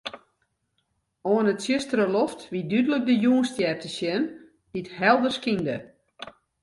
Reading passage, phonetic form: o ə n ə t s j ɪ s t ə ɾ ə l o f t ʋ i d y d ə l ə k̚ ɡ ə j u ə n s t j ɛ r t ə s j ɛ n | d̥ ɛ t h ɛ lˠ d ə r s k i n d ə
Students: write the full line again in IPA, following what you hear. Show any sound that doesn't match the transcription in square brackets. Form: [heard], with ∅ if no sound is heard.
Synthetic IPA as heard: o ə n ə t s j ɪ s t ə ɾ ə l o f t ʋ i d y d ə l ə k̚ [d] ə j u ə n s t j ɛ r t ə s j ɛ n | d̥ [i] t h ɛ lˠ d ə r s k i n d ə